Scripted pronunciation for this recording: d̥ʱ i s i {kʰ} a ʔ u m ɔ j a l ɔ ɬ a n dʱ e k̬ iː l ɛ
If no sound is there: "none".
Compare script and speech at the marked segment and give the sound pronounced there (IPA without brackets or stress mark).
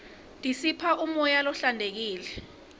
pʰ